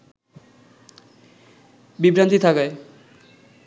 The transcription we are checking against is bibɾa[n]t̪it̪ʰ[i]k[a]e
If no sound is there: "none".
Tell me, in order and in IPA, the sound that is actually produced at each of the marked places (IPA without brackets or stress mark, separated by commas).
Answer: n, a, a